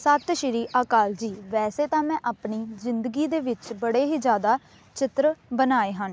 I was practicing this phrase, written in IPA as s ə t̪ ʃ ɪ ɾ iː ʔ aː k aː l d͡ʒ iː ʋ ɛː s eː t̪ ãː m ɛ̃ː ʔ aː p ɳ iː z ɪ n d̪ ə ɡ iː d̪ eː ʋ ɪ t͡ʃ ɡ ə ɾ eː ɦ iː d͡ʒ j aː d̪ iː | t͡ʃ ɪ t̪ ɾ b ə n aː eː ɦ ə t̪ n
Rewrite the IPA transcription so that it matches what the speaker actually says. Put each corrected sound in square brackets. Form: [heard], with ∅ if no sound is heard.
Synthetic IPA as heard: s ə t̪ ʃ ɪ ɾ iː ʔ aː k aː l d͡ʒ iː ʋ ɛː s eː t̪ ãː m ɛ̃ː ʔ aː p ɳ iː z ɪ n d̪ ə ɡ iː d̪ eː ʋ ɪ t͡ʃ [b] ə [ɽ] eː ɦ iː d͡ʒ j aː d̪ [aː] | t͡ʃ ɪ t̪ ɾ b ə n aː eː ɦ ə [∅] n